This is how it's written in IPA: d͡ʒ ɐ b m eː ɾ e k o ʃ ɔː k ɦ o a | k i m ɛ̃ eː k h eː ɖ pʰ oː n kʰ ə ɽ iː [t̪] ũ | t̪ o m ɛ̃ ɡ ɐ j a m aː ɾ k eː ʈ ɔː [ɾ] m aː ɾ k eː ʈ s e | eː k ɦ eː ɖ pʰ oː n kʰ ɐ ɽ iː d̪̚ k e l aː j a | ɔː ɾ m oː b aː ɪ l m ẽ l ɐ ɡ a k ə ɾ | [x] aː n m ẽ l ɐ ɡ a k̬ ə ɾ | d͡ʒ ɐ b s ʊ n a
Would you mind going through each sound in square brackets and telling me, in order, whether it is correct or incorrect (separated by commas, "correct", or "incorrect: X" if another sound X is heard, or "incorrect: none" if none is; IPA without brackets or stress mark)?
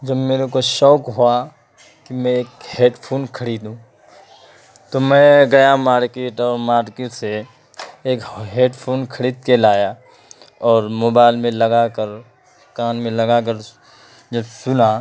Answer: incorrect: d̪, correct, incorrect: k